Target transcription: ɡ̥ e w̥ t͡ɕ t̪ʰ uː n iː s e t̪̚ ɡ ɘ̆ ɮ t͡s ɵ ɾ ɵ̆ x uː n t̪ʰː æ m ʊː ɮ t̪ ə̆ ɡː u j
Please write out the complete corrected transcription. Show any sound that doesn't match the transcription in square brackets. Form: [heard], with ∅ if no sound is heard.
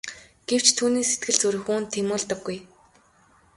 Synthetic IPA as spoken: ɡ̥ e w̥ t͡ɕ t̪ʰ uː n iː s e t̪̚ ɡ ɘ̆ ɮ t͡s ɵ ɾ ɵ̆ x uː n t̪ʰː [e] m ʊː ɮ t̪ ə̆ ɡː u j